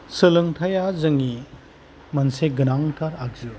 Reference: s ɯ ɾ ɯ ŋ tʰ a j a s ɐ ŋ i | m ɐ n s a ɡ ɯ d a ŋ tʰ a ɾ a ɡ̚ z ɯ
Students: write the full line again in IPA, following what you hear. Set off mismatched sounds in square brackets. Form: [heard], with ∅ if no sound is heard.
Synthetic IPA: s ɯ [l] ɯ ŋ tʰ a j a [z] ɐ ŋ i | m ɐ n s [e] ɡ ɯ [n] a ŋ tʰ a ɾ a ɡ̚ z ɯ

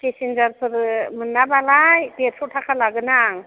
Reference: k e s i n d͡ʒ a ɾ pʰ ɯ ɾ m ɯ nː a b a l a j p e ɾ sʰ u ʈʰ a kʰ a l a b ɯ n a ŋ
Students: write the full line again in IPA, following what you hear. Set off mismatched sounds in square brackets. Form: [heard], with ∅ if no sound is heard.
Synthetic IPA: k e s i n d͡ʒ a ɾ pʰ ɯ ɾ m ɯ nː a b a l a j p e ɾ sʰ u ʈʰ a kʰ a l a [ɡ] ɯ n a ŋ

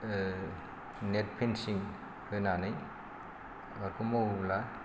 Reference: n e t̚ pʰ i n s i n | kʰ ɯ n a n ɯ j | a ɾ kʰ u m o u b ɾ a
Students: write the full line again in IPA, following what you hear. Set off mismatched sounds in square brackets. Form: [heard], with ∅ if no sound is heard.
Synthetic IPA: n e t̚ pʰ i n s i [ŋ] | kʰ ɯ n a n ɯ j | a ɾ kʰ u m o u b [l] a

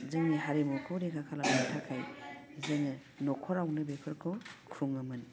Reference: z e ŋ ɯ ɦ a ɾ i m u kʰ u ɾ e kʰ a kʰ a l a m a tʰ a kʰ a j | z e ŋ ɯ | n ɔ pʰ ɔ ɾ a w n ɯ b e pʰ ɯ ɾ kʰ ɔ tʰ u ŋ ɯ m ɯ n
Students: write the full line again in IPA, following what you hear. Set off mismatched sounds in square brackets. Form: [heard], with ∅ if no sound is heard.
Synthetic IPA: z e ŋ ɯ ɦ a ɾ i m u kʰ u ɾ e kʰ a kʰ a l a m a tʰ a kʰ a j | z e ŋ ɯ | n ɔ [kʰ] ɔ ɾ a w n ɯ b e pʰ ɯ ɾ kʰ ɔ [kʰ] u ŋ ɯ m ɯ n

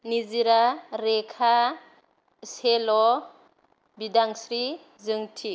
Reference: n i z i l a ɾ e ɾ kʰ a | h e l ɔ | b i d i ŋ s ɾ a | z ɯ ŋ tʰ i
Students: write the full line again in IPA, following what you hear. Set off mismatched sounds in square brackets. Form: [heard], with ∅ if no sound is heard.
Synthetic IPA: n i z i [ɾ] a ɾ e [∅] kʰ a | [s] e l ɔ | b i d [a] ŋ s ɾ [i] | z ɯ ŋ tʰ i

